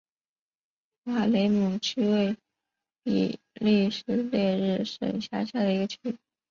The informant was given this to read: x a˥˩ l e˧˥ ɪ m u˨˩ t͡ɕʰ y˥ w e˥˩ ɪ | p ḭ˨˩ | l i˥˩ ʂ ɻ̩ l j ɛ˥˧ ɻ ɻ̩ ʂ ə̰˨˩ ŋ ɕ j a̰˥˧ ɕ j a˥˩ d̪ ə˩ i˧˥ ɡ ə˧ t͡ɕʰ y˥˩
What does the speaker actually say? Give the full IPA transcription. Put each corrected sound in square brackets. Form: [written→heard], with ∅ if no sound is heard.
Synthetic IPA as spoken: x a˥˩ l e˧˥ ɪ m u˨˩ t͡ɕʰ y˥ w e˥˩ ɪ | p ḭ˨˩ | l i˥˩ ʂ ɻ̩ l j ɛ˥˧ ɻ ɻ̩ ʂ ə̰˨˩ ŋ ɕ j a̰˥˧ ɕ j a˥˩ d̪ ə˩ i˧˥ ɡ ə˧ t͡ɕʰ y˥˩